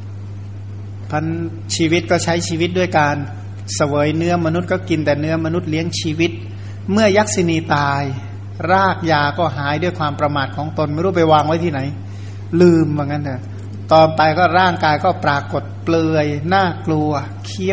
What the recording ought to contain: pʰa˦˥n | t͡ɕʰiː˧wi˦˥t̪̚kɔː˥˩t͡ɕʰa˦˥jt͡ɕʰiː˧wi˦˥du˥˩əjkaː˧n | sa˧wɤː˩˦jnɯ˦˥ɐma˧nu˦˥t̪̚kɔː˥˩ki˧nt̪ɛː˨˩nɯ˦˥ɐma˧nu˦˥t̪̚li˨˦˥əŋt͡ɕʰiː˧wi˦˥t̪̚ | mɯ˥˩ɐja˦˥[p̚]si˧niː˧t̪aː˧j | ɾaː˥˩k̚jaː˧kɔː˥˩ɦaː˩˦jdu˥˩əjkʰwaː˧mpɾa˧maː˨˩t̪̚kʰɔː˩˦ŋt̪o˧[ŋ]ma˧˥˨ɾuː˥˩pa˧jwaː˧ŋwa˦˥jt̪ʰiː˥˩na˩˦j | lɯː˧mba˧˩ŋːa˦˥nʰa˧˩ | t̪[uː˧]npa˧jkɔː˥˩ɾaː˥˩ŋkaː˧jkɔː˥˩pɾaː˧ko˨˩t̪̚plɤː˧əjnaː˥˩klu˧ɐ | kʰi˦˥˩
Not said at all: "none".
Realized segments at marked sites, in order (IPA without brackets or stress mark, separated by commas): k̚, n, ɔː˧